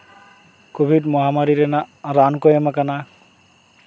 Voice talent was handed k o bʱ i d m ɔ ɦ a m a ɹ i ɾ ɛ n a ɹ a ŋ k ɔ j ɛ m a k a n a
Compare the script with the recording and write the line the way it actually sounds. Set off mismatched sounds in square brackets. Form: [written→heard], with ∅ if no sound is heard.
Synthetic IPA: k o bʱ i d m ɔ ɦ a m a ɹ i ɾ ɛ n a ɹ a [ŋ→n] k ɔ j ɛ m a k a n a